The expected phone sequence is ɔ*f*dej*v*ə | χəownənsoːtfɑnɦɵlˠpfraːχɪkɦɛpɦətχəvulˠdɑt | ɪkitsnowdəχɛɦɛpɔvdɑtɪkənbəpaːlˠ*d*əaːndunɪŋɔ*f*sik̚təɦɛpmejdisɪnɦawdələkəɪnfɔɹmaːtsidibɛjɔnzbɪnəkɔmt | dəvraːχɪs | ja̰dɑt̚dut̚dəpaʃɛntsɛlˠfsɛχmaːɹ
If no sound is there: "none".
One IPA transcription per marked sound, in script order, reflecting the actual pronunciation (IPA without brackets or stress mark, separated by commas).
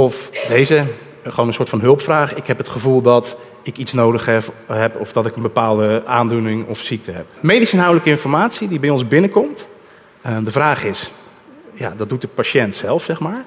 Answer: f, z, d, f